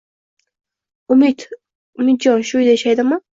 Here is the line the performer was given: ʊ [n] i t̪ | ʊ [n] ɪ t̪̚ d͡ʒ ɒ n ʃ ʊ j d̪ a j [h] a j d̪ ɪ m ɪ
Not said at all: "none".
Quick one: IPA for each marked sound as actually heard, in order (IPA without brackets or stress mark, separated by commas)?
m, m, ʃ